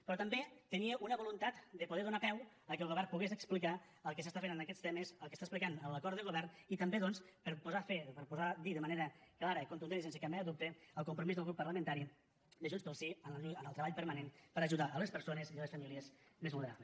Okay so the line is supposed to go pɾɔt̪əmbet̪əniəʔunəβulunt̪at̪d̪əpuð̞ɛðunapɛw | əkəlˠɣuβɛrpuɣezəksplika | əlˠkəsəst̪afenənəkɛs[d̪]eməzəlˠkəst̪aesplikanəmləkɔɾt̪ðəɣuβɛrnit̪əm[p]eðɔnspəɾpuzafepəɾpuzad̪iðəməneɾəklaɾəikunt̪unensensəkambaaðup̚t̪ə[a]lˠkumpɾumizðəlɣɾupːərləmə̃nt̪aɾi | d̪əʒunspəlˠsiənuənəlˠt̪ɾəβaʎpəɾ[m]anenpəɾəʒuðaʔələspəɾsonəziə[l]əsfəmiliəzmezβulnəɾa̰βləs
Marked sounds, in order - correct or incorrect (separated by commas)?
incorrect, incorrect, incorrect, correct, correct